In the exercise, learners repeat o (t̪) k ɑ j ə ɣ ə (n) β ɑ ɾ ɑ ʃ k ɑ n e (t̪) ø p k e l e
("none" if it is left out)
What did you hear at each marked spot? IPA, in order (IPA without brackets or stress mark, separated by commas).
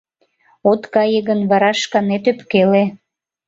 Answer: t̪, n, t̪